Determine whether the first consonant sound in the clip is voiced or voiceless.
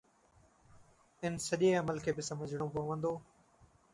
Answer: voiced